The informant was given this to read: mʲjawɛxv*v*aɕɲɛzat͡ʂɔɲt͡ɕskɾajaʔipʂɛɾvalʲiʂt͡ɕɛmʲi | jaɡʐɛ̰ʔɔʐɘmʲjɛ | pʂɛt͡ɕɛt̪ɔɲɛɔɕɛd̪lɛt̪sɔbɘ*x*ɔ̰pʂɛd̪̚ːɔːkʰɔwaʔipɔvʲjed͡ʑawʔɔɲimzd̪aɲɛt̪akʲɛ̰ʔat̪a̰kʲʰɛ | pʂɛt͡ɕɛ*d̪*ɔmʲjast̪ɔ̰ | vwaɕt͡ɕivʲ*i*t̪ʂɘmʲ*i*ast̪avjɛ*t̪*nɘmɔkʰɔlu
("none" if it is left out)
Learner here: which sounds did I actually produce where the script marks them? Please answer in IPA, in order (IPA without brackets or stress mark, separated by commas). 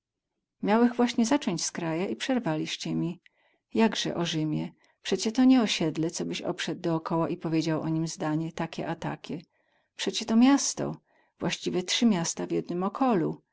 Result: w, ɕ, t̪, ɛ, j, d̪